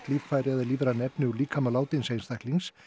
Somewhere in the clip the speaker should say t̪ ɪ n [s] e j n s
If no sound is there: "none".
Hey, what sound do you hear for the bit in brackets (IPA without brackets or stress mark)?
s